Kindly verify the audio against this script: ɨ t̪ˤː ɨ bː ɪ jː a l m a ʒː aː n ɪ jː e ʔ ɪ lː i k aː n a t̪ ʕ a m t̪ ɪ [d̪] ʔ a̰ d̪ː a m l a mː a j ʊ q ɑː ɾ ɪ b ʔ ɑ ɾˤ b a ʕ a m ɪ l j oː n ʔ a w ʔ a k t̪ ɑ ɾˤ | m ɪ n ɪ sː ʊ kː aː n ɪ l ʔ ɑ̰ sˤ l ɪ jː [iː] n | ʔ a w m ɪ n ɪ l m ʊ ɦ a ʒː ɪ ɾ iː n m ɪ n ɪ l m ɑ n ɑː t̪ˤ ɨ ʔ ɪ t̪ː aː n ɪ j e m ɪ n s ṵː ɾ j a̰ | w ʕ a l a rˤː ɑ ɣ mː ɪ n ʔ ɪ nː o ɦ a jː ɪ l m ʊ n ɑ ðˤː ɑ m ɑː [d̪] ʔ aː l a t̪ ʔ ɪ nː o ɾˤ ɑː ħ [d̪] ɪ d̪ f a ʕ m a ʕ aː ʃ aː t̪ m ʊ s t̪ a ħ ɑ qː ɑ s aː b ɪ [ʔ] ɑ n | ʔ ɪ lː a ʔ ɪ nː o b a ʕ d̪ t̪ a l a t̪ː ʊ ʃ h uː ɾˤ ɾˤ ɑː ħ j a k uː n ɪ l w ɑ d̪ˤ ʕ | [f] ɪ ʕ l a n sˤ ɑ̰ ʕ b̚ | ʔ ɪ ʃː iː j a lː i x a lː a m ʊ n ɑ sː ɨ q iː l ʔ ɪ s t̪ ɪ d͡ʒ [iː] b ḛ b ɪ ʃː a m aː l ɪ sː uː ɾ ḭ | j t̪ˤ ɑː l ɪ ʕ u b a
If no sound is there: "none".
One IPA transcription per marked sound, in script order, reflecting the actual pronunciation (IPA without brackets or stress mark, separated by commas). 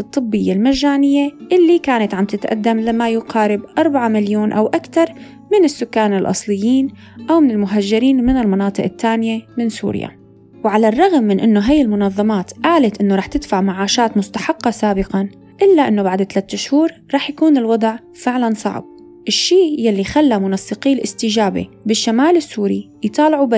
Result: t̪, iː, t̪, t̪, q, f, aː